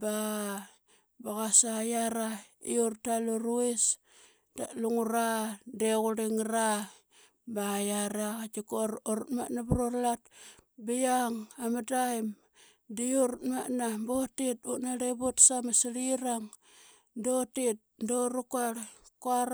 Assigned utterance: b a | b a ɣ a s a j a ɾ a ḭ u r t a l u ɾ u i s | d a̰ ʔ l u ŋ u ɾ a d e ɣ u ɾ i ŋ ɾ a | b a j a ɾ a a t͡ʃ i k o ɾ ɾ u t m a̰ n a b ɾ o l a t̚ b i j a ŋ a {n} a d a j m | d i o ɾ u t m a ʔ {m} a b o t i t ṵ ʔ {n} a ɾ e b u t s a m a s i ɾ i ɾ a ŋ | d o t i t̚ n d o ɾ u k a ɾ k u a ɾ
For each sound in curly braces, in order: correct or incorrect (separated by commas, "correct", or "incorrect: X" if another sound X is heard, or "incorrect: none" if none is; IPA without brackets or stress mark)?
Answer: incorrect: m, incorrect: n, correct